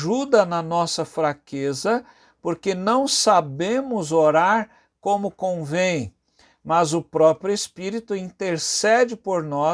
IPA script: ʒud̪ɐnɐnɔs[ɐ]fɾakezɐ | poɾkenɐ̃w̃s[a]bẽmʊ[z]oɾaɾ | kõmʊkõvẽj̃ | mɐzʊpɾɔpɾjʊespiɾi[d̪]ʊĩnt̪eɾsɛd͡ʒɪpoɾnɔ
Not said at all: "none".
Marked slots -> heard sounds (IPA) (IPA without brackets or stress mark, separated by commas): ɐ, a, z, t̪